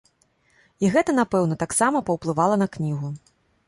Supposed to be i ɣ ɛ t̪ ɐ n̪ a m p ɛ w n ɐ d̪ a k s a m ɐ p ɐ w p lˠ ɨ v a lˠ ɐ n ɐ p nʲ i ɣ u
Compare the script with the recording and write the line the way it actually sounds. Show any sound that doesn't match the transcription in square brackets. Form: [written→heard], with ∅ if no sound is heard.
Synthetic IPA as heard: i ɣ ɛ t̪ ɐ n̪ a [m→∅] p ɛ w n ɐ [d̪→t̪] a k s a m ɐ p ɐ w p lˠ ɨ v a lˠ ɐ n ɐ [p→k] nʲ i ɣ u